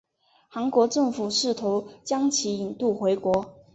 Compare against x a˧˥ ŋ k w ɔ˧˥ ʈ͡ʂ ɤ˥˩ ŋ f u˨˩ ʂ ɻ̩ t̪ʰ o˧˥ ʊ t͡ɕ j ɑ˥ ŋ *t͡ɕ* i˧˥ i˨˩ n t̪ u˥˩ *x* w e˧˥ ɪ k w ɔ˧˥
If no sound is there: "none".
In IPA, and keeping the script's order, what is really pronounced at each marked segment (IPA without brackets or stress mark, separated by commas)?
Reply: t͡ɕʰ, x